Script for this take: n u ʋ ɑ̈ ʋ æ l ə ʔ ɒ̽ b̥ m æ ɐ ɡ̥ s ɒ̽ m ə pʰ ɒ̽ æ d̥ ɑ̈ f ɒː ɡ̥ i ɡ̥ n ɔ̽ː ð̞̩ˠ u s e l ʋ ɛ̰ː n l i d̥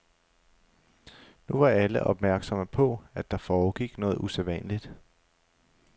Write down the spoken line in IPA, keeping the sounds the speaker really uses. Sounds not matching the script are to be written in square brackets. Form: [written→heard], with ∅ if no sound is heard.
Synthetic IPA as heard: n u ʋ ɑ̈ [ʋ→∅] æ l ə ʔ ɒ̽ b̥ m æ ɐ ɡ̥ s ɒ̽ m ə pʰ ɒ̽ æ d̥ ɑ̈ f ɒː ɡ̥ i ɡ̥ n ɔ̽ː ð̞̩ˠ u s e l ʋ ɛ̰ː n l i d̥